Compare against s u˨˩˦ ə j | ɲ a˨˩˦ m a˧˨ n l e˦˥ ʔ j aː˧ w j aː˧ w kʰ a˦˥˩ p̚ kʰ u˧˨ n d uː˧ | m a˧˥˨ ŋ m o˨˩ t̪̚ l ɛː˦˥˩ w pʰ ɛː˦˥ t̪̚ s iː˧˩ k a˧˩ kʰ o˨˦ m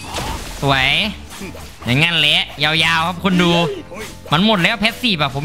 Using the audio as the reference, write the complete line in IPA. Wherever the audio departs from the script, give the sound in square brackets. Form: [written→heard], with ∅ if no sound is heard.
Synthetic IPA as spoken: s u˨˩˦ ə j | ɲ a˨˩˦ [m→ŋ] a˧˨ n l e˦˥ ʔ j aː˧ w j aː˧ w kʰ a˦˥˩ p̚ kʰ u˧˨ n d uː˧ | m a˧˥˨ [ŋ→n] m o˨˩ t̪̚ l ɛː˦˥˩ w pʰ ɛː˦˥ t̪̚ s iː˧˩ [k→p] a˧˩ [kʰ→pʰ] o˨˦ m